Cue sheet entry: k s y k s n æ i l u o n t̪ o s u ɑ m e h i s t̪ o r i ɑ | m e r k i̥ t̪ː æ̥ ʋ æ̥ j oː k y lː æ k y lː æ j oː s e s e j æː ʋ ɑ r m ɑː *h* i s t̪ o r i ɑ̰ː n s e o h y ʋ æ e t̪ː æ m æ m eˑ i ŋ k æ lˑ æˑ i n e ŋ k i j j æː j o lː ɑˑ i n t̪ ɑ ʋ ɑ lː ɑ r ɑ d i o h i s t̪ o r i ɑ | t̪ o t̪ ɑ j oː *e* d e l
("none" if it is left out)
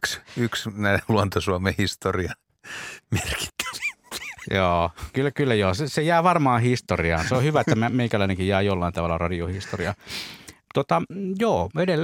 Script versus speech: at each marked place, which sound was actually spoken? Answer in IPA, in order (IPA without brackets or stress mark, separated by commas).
h, e